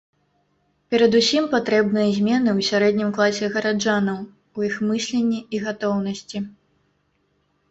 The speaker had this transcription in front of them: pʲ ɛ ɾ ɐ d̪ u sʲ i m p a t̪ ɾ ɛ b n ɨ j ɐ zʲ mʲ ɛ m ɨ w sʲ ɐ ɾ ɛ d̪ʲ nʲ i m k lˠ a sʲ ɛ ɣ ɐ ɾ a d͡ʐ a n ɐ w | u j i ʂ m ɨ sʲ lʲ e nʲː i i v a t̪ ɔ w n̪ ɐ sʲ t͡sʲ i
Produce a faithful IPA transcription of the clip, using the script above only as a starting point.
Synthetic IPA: pʲ ɛ ɾ ɐ d̪ u sʲ i m p a t̪ ɾ ɛ b n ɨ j ɐ zʲ mʲ ɛ n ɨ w sʲ a ɾ ɛ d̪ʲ nʲ i m k lˠ a sʲ ɛ ɣ ɐ ɾ a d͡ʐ a n ɐ w | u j i x m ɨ sʲ lʲ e nʲː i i ɣ a t̪ ɔ w n̪ ɐ sʲ t͡sʲ i